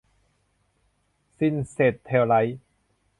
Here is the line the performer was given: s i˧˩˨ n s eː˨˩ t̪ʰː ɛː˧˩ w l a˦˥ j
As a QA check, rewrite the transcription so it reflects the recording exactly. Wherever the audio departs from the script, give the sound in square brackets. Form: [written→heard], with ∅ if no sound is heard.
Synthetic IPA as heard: s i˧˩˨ n s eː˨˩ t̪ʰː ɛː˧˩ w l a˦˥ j